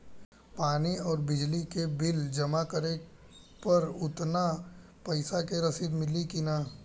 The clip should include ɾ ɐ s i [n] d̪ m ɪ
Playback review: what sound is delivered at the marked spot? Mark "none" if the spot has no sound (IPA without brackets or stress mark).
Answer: none